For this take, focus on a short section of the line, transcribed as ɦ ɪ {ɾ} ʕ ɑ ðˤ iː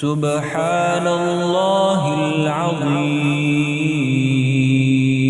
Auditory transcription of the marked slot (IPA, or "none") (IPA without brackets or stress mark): l